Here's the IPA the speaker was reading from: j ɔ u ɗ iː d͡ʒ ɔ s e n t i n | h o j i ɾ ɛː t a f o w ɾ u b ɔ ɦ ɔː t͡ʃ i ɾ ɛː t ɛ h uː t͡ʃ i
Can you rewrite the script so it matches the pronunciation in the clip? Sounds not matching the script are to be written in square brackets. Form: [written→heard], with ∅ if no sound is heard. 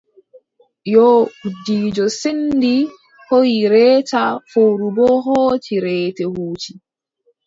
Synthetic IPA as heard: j ɔ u [ɗ→d] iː d͡ʒ ɔ s e n [t→d] i [n→∅] | h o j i ɾ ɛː t a f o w ɾ u b ɔ ɦ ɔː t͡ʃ i ɾ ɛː t ɛ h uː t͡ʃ i